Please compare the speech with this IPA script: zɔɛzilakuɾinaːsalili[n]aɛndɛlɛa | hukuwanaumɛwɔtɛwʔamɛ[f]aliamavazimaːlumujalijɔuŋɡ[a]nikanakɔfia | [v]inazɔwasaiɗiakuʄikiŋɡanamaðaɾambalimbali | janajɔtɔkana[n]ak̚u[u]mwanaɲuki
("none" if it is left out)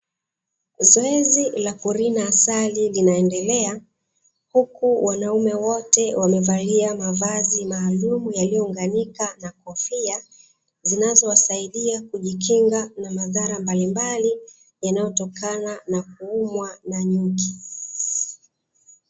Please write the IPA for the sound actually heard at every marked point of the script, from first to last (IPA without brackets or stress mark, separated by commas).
n, v, a, z, n, u